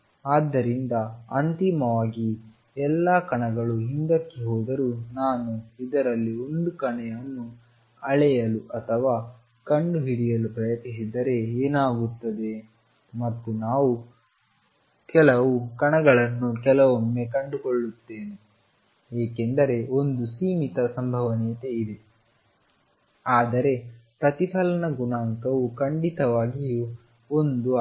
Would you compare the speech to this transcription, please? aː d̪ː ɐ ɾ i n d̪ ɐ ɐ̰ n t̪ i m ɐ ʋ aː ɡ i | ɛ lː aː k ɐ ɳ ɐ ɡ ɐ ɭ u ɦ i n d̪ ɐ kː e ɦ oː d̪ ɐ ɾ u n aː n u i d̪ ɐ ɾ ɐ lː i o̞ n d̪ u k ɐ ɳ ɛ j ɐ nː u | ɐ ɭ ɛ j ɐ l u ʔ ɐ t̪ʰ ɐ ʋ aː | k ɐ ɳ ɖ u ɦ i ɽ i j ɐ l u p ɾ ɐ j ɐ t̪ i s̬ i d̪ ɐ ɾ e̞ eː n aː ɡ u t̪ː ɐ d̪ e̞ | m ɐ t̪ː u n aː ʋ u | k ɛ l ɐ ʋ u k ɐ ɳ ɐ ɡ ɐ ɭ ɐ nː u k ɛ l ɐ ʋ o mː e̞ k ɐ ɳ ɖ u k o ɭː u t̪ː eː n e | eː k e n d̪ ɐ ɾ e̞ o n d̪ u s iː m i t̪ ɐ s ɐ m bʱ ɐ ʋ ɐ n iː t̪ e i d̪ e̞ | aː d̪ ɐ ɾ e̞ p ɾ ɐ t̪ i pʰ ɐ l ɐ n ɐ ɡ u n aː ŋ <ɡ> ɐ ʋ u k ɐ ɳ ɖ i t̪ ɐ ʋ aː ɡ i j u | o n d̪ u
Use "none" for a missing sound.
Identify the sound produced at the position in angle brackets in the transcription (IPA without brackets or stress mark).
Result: k